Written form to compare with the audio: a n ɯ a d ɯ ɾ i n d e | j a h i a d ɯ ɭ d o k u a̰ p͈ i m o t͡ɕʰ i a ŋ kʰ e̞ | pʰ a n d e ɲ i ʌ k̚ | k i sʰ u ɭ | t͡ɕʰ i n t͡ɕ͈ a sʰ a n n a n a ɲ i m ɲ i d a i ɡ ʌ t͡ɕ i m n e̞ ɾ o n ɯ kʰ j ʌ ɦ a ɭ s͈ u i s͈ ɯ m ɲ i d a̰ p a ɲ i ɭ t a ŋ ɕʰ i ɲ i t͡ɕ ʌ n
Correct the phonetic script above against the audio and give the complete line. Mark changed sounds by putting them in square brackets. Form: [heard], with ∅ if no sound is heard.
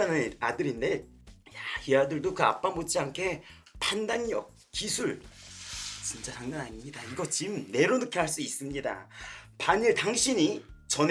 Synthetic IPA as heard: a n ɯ a d ɯ ɾ i n d e | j a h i a d ɯ ɭ d o k [ɯ] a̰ p͈ [a] m o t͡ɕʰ i a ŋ kʰ e̞ | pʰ a n d [a] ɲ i ʌ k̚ | k i sʰ u ɭ | [t͡ɕ] i n t͡ɕ͈ a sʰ a [ŋ] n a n a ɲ i m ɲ i d a i ɡ ʌ t͡ɕ i m n e̞ ɾ o n ɯ kʰ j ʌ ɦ a ɭ s͈ u i s͈ ɯ m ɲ i d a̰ p a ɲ i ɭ t a ŋ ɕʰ i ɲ i t͡ɕ ʌ n